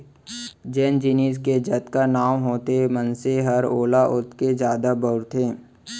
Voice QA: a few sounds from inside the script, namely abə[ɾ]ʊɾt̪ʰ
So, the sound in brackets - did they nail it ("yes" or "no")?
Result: no